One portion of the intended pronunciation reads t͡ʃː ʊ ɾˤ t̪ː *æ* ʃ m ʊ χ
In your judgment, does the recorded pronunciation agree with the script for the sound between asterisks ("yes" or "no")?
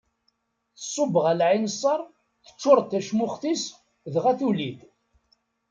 yes